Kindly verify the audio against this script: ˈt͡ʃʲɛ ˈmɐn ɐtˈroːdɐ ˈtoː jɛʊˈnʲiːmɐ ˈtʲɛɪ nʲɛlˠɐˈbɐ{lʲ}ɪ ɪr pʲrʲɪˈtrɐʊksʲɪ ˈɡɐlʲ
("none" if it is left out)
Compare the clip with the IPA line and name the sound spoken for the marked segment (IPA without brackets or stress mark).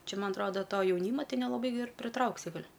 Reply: none